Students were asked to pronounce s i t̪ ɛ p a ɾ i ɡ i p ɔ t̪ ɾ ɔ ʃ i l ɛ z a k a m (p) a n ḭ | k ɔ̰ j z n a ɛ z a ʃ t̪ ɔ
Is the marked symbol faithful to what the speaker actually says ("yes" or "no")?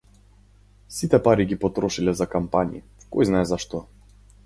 yes